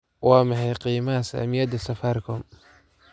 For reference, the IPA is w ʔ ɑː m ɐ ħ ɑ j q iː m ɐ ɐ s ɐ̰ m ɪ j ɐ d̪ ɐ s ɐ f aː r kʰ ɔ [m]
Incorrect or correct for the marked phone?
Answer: correct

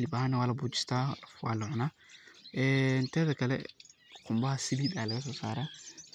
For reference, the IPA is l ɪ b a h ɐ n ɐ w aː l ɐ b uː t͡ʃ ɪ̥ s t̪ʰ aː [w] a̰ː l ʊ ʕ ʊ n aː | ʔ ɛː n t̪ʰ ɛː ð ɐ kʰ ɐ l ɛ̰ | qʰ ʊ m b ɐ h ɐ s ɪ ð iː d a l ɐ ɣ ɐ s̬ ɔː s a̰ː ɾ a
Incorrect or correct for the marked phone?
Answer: correct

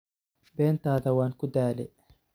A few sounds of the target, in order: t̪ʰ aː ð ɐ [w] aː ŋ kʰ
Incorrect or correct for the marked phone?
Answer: correct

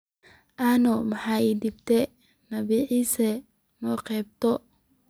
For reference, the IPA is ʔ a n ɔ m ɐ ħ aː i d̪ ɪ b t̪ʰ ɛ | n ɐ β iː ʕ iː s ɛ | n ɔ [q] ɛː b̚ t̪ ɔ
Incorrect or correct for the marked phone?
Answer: correct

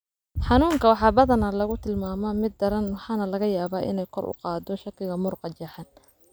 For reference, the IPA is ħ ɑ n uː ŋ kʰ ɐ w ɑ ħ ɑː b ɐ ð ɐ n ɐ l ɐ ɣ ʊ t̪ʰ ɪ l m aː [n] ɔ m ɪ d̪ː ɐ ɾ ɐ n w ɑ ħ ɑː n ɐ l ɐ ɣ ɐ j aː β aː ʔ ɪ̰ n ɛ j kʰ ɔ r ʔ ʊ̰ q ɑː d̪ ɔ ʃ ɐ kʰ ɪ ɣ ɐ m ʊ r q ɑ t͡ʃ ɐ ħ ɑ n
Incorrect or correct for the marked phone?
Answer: incorrect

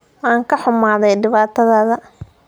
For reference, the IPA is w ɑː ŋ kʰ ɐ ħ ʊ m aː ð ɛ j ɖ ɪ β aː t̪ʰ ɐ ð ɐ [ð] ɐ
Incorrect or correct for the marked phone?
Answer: correct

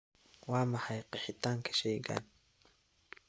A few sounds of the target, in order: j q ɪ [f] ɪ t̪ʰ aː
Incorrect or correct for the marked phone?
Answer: incorrect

